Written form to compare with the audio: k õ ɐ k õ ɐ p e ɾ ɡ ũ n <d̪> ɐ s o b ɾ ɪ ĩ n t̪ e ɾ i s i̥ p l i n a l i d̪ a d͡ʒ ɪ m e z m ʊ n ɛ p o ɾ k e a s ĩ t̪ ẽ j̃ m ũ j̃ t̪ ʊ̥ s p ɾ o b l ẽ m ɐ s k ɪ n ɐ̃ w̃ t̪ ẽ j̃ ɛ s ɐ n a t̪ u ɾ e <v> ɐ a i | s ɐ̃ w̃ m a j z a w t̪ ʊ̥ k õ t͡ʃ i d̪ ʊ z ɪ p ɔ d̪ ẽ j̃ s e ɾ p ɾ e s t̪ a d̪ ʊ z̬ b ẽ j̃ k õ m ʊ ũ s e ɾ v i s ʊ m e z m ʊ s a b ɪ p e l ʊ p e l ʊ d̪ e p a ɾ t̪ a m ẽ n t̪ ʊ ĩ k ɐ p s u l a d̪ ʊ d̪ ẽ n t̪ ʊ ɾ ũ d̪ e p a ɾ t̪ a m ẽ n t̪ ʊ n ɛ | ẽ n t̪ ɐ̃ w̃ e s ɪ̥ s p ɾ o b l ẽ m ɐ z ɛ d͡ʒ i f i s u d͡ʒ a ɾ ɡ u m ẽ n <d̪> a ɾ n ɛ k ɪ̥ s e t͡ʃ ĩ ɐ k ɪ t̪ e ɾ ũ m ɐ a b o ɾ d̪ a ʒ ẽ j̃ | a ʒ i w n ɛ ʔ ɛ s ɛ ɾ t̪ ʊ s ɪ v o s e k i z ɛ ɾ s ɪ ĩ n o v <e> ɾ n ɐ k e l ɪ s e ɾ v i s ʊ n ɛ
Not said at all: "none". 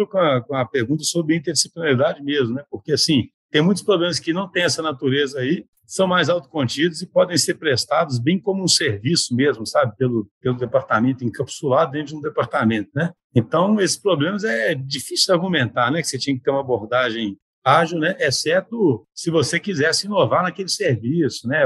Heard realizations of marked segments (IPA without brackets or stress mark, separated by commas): t̪, z, t̪, a